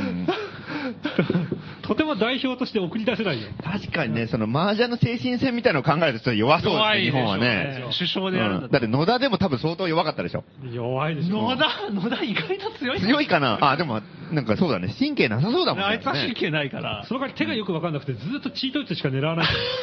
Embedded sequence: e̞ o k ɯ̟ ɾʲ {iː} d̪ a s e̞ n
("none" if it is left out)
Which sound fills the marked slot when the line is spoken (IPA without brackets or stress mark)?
i